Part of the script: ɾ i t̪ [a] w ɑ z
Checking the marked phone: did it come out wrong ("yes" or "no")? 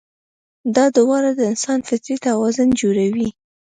no